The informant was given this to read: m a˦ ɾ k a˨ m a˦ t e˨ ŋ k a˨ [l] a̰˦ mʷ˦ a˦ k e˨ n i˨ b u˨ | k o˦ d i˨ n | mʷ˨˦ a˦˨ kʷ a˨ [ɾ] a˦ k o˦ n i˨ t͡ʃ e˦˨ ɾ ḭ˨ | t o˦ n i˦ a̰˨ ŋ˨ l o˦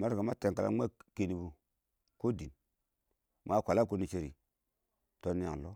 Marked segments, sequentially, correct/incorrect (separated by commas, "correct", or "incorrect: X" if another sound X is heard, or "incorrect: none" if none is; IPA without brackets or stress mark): correct, incorrect: l